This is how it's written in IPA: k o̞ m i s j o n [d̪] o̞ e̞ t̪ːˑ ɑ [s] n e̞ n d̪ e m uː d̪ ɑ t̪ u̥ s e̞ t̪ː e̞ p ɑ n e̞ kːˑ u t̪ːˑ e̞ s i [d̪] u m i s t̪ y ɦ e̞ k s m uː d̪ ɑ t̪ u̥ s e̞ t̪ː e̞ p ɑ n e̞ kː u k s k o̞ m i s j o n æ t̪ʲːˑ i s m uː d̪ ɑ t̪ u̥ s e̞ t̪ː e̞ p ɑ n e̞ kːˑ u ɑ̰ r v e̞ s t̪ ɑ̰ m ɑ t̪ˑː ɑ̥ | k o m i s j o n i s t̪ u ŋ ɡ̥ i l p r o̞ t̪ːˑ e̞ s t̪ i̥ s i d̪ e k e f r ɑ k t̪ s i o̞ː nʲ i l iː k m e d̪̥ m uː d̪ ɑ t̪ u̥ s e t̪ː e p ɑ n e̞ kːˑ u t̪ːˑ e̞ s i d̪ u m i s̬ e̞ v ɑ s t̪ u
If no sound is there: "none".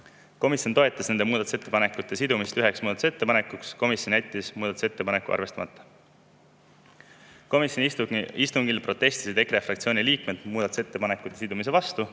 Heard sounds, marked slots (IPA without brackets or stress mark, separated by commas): t̪, s, d̪